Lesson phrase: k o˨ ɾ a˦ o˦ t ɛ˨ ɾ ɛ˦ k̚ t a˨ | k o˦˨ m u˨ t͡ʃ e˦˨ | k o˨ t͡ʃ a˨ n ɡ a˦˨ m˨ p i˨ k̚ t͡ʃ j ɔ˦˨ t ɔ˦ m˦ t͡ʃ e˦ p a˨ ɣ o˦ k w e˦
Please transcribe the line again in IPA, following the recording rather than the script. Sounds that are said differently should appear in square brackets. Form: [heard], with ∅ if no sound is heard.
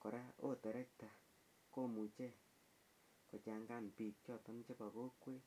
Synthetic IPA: k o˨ ɾ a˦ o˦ t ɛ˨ ɾ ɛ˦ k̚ t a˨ | k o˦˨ m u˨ t͡ʃ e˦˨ | k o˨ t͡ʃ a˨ [ŋ] ɡ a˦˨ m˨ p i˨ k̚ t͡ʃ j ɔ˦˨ t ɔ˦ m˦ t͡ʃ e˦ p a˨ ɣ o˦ k w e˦